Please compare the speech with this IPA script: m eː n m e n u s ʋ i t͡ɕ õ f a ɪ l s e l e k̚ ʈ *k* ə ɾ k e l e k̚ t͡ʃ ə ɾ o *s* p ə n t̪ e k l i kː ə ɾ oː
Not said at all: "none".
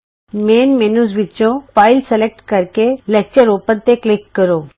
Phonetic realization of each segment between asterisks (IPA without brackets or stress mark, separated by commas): k, none